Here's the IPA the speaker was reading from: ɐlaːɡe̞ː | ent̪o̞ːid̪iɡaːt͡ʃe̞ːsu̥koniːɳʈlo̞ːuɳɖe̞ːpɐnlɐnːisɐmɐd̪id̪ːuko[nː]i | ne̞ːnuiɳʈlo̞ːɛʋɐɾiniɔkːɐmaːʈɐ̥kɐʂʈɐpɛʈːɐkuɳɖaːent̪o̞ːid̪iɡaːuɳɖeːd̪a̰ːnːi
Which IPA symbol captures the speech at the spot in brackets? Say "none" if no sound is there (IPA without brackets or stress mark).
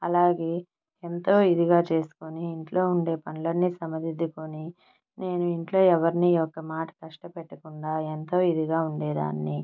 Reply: n